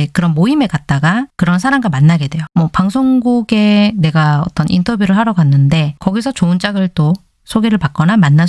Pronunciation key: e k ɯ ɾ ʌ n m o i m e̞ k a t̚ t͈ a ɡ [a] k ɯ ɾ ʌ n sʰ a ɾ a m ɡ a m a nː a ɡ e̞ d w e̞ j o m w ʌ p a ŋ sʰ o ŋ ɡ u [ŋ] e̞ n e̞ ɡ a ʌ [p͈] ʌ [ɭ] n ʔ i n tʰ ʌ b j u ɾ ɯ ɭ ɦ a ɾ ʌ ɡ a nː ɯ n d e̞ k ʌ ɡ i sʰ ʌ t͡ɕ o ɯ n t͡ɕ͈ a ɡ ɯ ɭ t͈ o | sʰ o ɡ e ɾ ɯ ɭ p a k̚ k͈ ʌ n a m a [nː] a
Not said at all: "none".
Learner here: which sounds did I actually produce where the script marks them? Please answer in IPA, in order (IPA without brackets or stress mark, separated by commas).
a, ɡ, t͈, none, nː